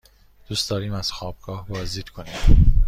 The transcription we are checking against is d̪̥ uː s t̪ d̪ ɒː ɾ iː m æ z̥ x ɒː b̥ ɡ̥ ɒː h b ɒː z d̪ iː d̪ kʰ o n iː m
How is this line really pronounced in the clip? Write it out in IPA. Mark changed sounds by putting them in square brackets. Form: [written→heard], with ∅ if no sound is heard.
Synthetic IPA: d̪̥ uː s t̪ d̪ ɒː ɾ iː m æ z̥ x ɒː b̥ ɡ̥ ɒː h b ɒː z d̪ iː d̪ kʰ o n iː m